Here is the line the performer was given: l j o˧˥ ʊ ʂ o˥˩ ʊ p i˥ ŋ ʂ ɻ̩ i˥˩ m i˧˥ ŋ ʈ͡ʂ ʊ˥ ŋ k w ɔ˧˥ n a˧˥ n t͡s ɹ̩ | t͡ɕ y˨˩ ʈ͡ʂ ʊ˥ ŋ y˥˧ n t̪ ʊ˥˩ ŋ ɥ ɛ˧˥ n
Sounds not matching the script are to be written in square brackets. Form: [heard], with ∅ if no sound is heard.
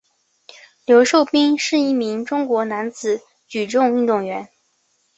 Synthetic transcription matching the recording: l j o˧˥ ʊ ʂ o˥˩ ʊ p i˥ ŋ ʂ ɻ̩ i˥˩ m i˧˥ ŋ ʈ͡ʂ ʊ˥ ŋ k w ɔ˧˥ n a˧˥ n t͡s ɹ̩ | t͡ɕ y˨˩ ʈ͡ʂ [ʊ˥˧] ŋ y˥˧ n t̪ ʊ˥˩ ŋ ɥ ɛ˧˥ n